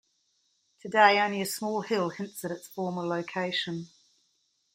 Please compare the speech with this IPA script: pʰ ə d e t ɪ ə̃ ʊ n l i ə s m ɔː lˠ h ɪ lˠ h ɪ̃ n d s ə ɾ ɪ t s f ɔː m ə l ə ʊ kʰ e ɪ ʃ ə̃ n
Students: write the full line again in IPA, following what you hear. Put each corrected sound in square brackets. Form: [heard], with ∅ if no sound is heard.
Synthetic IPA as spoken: [tʰ] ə d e [∅] ɪ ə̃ [ʊ̃] n l i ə s m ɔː lˠ h ɪ lˠ h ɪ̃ n [t] s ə ɾ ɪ t s f ɔː m ə l ə ʊ kʰ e ɪ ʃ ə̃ n